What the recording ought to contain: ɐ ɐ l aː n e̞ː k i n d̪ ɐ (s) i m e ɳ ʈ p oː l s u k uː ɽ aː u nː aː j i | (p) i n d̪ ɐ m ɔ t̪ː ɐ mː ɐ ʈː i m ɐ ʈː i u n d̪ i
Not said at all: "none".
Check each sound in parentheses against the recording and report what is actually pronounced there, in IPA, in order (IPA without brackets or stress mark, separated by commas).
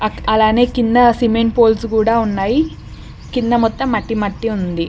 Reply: s, k